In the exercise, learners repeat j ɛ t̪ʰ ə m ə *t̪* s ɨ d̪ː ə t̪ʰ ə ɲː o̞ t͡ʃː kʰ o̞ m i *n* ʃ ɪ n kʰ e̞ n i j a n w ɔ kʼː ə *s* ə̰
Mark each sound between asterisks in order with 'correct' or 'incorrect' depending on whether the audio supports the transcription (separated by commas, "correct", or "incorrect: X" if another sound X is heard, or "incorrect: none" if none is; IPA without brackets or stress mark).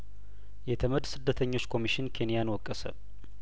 incorrect: d̪, incorrect: none, correct